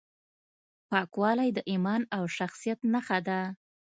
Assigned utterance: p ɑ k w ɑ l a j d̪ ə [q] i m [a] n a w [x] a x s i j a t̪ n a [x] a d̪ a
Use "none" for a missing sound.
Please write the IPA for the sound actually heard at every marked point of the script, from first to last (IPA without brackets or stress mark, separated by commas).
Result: ʔ, ɑ, ʃ, x